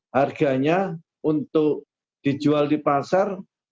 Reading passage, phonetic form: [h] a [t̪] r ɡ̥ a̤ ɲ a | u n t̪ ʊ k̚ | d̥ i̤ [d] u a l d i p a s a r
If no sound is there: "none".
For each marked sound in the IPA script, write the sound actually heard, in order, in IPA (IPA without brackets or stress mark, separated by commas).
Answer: h, none, d͡ʒ